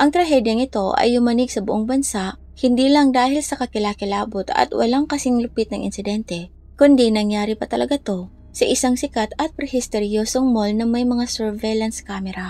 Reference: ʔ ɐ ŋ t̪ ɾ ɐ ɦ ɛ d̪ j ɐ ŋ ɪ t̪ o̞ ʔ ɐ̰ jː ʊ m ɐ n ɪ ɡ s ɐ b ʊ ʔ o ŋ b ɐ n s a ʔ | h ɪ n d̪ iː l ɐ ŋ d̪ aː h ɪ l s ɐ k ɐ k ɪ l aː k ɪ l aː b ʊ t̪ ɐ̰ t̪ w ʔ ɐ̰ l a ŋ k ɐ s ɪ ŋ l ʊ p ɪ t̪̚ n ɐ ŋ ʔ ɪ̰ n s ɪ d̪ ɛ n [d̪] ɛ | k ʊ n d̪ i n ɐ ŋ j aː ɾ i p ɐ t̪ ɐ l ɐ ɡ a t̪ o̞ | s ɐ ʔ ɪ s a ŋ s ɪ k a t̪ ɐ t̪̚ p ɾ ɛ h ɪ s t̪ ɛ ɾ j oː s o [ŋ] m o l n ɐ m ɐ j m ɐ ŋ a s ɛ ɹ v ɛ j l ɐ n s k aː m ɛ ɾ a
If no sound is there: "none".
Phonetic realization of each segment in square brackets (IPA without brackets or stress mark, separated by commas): t̪, ŋ